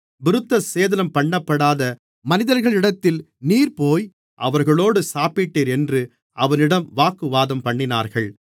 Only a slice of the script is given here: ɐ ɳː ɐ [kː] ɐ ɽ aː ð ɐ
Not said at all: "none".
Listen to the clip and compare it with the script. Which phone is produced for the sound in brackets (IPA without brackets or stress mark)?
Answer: pː